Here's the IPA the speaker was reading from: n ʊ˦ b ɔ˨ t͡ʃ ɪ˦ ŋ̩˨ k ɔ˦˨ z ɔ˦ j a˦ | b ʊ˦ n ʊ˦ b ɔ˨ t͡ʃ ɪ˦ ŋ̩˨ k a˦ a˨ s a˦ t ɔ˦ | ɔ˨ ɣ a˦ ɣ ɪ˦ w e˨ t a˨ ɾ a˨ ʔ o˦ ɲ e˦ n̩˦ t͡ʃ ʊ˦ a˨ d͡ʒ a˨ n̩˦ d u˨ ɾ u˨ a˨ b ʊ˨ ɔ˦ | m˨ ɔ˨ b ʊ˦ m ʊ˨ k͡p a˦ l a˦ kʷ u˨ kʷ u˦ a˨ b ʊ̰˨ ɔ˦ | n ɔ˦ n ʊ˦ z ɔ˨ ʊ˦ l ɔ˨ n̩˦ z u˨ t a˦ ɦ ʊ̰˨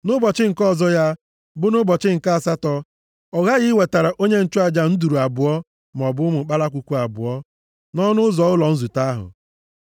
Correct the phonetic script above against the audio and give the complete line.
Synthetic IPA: n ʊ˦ b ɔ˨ t͡ʃ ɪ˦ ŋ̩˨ k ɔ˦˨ z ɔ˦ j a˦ | b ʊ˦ n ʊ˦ b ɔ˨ t͡ʃ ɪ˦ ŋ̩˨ k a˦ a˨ s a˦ t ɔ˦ | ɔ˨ ɣ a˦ ɣ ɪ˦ w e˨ t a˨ ɾ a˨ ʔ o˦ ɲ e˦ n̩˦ t͡ʃ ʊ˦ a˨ d͡ʒ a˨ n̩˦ d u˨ ɾ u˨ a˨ b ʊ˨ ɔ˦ | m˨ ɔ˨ b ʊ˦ m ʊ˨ k͡p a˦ l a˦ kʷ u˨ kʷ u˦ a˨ b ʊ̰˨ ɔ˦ | n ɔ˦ n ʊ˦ z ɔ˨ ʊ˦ l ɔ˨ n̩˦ z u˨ t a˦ ɦ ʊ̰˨

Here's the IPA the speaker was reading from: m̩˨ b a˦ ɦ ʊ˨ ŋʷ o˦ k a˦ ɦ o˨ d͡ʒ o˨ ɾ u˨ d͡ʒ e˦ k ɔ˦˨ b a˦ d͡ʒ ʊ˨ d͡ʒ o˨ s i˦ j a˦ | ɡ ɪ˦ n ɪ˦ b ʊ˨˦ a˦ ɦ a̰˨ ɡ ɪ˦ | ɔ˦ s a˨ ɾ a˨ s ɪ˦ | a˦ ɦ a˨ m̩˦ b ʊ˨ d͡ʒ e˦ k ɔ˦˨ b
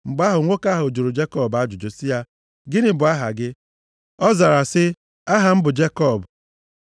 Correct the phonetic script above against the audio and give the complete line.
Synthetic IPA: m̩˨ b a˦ ɦ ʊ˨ ŋʷ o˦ k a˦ ɦ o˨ d͡ʒ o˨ ɾ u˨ d͡ʒ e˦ k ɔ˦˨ b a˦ d͡ʒ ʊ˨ d͡ʒ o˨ s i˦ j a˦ | ɡ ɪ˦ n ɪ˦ b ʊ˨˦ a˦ ɦ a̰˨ ɡ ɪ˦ | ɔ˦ z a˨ ɾ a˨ s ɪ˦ | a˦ ɦ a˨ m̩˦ b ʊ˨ d͡ʒ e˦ k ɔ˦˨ b

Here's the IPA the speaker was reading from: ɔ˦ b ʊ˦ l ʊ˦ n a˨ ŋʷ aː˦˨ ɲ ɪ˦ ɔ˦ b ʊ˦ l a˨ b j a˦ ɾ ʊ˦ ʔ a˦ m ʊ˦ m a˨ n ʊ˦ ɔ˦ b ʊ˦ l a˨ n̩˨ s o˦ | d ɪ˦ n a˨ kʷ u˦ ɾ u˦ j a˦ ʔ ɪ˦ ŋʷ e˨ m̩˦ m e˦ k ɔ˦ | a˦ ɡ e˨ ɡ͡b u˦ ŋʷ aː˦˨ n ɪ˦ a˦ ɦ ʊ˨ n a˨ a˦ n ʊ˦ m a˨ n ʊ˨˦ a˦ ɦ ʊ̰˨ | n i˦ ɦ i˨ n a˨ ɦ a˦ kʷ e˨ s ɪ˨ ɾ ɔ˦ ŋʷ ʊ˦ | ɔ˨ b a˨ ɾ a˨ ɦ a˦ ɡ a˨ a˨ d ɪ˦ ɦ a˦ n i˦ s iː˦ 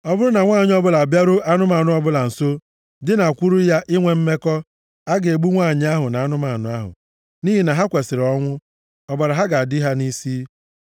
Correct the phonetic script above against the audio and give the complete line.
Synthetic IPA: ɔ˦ b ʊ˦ ɾ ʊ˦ n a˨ ŋʷ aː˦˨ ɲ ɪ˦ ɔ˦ b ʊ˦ l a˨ b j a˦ ɾ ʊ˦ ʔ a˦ n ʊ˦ m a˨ n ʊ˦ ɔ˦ b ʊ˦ l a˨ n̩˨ s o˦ | d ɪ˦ n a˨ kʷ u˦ ɾ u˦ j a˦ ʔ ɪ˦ ŋʷ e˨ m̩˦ m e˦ k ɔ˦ | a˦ ɡ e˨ ɡ͡b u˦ ŋʷ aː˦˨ ɲ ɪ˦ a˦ ɦ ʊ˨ n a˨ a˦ n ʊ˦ m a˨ n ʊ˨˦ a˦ ɦ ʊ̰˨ | n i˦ ɦ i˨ n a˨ ɦ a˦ kʷ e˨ s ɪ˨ ɾ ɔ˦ ŋʷ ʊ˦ | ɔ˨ b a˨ ɾ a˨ ɦ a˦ ɡ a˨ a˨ d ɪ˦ ɦ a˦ n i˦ s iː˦

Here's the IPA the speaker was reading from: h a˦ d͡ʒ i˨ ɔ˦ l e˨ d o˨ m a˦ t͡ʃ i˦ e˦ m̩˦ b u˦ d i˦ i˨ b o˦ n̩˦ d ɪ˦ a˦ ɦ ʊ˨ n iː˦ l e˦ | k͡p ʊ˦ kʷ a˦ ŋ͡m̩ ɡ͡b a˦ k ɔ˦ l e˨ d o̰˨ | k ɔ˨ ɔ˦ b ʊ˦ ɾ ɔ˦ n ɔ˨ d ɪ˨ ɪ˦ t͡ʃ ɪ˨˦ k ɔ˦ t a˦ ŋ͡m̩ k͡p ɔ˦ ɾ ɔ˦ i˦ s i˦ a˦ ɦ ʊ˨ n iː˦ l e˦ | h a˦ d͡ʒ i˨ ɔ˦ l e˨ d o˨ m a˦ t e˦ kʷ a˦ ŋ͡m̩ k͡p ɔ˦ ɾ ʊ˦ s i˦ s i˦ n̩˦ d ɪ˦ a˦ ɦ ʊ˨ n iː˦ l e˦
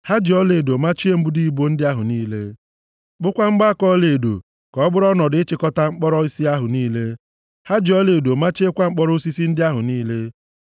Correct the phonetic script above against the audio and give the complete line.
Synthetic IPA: h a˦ d͡ʒ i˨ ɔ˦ l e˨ d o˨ m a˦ t͡ʃ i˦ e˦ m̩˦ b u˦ d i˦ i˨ b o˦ n̩˦ d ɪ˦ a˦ ɦ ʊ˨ n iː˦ l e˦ | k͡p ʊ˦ kʷ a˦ ŋ͡m̩ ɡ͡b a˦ k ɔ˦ l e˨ d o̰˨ | k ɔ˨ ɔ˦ b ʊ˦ ɾ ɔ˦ n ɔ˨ d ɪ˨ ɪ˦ t͡ʃ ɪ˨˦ k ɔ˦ t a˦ ŋ͡m̩ k͡p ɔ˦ ɾ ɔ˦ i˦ s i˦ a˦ ɦ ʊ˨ n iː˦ l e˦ | h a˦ d͡ʒ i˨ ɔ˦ l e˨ d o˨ m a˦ t͡ʃ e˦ kʷ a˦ ŋ͡m̩ k͡p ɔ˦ ɾ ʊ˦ s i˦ s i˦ n̩˦ d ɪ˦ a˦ ɦ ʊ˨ n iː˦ l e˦

